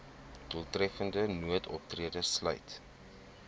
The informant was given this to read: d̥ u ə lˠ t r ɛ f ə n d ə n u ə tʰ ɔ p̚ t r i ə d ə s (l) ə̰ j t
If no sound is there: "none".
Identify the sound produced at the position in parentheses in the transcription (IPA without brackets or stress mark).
l